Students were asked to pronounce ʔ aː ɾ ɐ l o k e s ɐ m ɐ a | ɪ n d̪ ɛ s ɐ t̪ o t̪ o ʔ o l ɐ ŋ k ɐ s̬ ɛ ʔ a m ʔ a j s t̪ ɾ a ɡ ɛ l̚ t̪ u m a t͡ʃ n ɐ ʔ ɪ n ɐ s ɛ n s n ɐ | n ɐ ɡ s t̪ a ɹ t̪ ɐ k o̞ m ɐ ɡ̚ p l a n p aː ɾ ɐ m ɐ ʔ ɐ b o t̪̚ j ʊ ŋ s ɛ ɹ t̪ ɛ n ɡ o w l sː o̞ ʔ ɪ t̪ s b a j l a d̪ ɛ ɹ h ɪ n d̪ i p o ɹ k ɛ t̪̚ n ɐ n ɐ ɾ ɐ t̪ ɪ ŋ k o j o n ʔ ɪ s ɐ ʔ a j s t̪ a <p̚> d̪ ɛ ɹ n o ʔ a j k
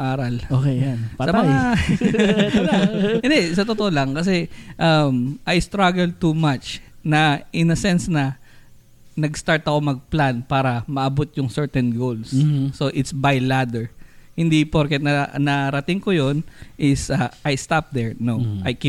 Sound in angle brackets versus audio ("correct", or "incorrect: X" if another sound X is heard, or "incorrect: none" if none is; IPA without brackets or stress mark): correct